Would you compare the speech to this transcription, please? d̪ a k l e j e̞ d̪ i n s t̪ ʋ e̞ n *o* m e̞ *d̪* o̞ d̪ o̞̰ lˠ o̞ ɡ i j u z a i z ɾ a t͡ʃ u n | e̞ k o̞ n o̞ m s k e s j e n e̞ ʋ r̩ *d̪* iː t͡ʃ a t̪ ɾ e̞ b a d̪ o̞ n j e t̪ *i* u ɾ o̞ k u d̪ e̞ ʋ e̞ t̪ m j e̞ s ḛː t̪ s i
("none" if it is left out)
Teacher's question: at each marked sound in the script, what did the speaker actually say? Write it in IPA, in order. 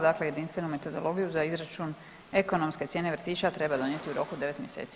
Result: u, t̪, t̪, i

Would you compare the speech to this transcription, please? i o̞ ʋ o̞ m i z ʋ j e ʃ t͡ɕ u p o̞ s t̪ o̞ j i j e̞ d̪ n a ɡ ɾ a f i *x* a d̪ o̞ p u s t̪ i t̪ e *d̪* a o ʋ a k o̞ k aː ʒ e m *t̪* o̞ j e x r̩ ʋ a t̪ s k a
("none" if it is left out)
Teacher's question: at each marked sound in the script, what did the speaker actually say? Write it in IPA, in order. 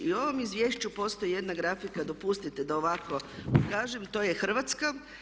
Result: k, d̪, t̪

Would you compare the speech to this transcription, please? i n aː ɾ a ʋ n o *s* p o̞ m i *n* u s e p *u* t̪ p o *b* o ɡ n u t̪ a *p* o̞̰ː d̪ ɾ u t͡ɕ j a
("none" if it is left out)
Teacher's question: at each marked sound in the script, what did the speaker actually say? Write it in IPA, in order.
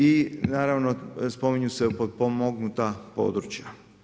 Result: s, ɲ, o, m, p

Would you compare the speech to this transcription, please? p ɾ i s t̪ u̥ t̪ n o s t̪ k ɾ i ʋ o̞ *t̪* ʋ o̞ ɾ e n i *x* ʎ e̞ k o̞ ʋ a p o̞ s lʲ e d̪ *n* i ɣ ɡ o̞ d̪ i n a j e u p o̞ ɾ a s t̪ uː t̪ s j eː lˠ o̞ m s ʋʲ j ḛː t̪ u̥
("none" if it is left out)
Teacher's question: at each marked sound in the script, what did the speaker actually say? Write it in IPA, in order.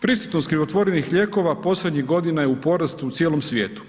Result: t̪, x, ɲ

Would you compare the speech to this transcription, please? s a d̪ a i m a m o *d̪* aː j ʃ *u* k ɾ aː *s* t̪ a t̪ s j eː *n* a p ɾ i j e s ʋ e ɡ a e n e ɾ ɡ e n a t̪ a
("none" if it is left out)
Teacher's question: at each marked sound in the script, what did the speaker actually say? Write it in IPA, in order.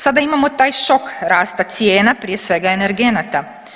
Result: t̪, o, s, n

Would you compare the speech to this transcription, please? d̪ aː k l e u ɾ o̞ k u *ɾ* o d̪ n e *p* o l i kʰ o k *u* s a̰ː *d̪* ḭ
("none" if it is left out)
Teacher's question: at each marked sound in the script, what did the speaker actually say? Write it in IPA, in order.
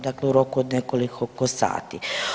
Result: none, k, o, t̪

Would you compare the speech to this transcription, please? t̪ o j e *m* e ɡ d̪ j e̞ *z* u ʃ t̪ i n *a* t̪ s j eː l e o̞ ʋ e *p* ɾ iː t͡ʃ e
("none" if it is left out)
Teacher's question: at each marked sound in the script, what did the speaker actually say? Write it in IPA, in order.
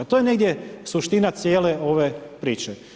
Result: n, s, a, p

